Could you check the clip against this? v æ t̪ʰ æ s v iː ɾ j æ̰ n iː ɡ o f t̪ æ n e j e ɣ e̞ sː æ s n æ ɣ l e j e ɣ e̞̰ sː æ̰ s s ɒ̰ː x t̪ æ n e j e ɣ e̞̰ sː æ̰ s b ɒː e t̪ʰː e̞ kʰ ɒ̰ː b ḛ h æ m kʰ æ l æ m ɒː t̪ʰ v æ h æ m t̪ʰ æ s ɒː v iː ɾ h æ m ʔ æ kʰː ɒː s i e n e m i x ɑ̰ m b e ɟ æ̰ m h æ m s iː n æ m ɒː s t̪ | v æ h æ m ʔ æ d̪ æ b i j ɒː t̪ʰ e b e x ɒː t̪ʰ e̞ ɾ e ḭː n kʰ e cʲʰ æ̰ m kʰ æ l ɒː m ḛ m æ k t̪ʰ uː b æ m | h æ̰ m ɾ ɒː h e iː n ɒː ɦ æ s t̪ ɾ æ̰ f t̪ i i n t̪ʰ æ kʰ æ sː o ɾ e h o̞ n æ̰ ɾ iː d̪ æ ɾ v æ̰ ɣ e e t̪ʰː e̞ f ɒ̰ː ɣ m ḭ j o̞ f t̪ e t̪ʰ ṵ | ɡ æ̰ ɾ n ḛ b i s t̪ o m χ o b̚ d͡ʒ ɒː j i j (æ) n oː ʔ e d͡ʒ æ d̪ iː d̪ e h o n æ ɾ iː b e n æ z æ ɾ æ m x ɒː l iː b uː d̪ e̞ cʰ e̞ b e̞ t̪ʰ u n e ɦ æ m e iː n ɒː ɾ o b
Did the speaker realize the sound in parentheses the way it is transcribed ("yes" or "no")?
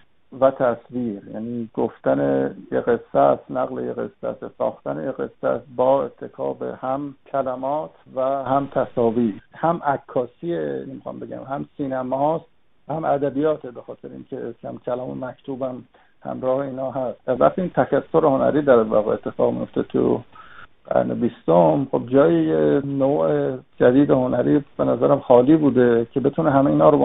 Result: no